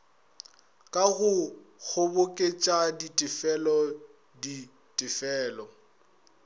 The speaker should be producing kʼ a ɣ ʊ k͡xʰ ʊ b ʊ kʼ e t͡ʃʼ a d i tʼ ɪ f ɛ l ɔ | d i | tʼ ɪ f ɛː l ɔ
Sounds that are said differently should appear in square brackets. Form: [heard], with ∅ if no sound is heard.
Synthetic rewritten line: kʼ a ɣ ʊ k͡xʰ ʊ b ʊ kʼ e t͡ʃʼ a d i tʼ ɪ f ɛ l ɔ | d i | tʼ ɪ f ɛː l ɔ